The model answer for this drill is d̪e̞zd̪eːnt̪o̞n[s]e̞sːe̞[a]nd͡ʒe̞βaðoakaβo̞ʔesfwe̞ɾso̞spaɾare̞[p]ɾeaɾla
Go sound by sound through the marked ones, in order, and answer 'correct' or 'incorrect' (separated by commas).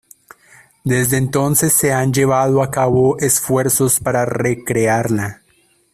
correct, correct, incorrect